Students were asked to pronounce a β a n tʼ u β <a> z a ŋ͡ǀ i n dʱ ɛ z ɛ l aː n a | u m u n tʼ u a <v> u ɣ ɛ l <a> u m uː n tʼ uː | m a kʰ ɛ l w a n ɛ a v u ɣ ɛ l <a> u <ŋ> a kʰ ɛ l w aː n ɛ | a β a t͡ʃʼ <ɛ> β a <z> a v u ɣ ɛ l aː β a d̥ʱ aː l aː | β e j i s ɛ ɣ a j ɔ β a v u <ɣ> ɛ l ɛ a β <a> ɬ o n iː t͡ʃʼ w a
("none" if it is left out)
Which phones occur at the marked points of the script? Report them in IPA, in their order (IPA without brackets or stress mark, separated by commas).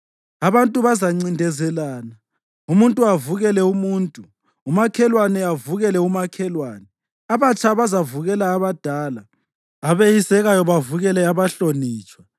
a, v, ɛ, ɛ, m, a, z, ɣ, a